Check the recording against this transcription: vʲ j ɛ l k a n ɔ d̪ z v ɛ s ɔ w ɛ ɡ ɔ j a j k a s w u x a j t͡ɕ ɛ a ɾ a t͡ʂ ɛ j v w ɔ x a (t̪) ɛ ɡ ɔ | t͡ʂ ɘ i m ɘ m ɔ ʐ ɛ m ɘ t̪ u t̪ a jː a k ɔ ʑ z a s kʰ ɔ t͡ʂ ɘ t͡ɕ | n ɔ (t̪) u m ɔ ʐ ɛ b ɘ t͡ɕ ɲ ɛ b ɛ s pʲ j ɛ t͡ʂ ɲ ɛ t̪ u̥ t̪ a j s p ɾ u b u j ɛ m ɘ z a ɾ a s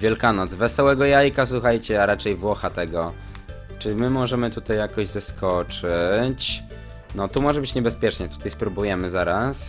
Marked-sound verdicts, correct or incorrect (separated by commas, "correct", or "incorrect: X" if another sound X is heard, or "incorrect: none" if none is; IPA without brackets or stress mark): correct, correct